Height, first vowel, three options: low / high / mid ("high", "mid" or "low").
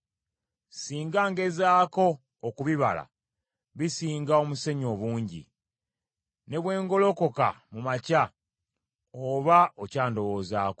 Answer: high